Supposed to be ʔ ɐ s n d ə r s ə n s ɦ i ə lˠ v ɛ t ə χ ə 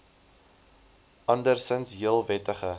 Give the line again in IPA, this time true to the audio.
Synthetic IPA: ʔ ɐ n d ə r s ə n s ɦ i ə lˠ v ɛ t ə χ ə